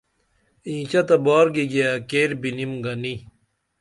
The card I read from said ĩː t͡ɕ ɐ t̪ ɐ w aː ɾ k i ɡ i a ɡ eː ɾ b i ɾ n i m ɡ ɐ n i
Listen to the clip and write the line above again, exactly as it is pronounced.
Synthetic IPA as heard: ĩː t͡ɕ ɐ t̪ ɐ b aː ɾ ɡ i ɡ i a k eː ɾ b i n i m ɡ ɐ n i